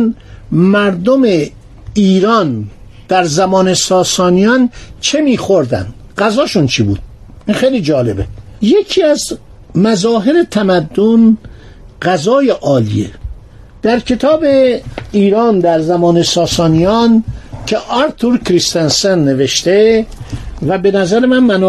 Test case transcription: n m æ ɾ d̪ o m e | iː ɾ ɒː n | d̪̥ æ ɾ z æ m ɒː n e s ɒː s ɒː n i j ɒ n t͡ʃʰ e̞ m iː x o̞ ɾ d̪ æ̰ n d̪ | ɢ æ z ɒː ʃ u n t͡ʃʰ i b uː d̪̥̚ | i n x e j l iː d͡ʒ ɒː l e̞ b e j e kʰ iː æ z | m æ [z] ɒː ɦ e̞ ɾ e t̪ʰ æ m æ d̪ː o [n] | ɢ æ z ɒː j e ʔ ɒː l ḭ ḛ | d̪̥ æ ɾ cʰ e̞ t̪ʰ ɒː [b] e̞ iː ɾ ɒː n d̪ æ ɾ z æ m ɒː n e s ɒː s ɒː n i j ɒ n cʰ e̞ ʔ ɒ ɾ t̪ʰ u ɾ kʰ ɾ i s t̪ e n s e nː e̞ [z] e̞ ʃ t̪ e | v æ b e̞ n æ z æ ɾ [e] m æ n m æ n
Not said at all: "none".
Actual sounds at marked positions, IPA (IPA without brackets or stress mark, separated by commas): z, n, b, v, e